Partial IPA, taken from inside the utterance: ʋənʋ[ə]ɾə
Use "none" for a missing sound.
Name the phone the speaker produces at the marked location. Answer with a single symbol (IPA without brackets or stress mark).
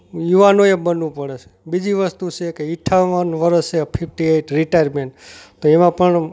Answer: ə